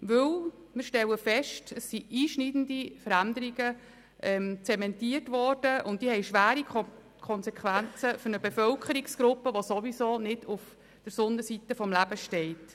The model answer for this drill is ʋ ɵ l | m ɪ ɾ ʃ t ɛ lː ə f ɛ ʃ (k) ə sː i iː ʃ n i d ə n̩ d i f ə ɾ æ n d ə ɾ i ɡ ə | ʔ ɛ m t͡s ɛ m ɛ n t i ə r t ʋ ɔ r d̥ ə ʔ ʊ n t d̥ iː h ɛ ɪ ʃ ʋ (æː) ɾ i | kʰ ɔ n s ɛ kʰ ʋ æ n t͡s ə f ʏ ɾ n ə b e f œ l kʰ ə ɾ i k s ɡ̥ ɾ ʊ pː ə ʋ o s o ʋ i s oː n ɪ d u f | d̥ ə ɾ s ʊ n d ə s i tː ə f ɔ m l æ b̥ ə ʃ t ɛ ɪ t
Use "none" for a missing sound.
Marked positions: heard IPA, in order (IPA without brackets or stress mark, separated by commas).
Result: t, æː